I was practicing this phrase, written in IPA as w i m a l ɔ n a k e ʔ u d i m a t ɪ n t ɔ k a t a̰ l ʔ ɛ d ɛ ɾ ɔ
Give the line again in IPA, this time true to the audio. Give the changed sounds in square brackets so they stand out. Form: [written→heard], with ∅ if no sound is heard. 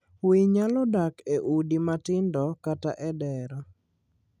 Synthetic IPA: w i [m→ɲ] a l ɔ [n→d] a k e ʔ u d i m a t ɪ n [t→d] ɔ k a t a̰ [l→∅] ʔ ɛ d ɛ ɾ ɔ